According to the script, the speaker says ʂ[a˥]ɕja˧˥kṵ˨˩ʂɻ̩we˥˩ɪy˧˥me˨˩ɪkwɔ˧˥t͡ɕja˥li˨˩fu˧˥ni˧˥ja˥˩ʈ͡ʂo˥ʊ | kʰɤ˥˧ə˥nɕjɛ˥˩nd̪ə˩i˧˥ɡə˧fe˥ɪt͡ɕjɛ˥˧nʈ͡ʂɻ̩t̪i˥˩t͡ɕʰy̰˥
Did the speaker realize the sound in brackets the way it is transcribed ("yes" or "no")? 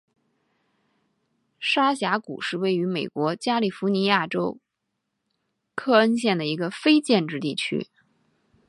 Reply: yes